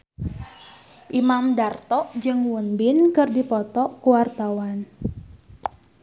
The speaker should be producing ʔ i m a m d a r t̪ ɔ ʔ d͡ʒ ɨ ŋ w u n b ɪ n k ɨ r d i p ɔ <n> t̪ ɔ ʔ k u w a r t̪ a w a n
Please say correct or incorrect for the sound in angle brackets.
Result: incorrect